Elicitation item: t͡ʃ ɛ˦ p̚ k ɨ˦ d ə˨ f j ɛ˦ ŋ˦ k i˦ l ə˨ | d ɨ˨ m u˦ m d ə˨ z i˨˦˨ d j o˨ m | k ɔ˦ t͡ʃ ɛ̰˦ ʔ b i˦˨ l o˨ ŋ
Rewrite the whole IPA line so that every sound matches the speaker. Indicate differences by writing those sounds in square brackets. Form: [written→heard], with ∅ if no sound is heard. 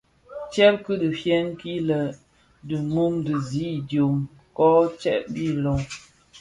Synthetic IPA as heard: t͡ʃ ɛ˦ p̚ k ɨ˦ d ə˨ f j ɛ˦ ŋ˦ k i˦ l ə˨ | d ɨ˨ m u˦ m d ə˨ z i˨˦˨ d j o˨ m | k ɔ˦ t͡ʃ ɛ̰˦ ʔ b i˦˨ l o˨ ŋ